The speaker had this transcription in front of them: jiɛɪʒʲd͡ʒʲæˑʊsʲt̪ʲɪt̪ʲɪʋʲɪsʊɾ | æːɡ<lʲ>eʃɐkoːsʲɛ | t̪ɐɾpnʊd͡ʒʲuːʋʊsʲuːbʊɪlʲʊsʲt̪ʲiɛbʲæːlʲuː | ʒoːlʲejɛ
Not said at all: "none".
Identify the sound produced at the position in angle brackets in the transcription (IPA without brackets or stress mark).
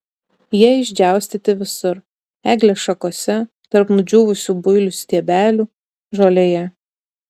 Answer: lʲ